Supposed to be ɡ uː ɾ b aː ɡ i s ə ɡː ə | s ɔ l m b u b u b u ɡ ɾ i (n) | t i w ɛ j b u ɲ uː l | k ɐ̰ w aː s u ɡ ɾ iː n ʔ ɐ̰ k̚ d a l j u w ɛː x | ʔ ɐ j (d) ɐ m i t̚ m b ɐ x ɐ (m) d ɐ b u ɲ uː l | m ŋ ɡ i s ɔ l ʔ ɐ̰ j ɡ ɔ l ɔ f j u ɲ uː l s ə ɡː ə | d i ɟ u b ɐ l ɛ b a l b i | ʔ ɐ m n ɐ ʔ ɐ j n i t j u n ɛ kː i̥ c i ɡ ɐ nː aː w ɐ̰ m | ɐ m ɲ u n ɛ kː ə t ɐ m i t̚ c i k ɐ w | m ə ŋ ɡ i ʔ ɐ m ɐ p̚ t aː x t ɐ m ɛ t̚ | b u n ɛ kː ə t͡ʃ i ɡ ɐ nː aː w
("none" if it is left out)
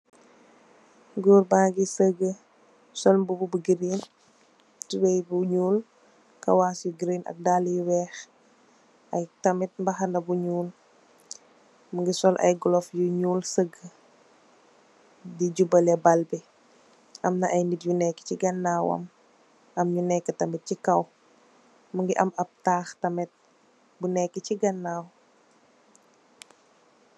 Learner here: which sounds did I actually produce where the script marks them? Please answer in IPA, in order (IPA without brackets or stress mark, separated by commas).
n, t, n